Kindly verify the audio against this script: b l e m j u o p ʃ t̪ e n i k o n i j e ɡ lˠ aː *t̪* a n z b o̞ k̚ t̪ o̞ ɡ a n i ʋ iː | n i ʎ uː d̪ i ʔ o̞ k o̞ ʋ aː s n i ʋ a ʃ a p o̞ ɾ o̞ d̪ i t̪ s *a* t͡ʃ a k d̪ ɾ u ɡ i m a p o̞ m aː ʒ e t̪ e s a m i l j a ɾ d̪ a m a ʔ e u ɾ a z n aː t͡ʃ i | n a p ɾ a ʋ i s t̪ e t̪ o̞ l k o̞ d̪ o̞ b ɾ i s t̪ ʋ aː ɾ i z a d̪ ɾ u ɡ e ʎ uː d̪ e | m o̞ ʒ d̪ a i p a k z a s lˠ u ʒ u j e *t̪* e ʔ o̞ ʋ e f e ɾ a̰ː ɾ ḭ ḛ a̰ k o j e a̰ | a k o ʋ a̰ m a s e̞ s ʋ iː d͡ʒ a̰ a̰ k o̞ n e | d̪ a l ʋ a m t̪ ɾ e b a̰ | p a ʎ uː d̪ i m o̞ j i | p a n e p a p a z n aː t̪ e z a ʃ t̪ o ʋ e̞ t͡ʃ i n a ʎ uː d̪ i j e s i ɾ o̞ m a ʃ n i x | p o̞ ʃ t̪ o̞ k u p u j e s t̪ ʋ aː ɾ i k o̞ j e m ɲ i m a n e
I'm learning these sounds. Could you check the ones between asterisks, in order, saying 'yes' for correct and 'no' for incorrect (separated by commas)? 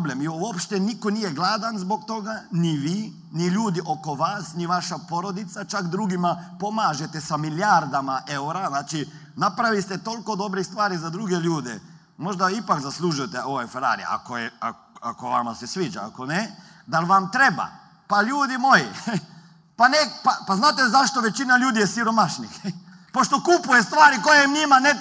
no, yes, yes